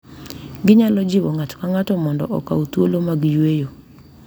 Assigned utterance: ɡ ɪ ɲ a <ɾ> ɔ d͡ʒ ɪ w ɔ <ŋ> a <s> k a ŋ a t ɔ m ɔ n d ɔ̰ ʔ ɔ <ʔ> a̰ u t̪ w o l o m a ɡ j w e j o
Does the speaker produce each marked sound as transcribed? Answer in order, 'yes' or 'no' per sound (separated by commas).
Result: no, yes, no, no